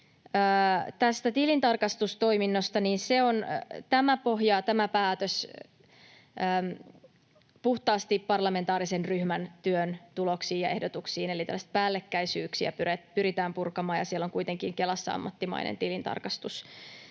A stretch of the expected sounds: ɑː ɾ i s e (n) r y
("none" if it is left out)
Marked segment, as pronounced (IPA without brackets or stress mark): n